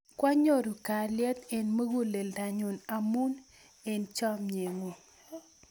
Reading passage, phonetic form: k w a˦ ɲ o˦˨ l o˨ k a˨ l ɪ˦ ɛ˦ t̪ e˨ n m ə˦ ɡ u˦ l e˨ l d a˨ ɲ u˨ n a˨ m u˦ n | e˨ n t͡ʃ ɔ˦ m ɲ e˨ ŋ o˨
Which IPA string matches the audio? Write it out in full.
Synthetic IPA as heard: k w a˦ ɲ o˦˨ ɾ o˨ k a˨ l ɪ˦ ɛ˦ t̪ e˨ n m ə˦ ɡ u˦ l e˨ l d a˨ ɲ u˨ n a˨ m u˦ n | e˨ n t͡ʃ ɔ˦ m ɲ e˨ ŋ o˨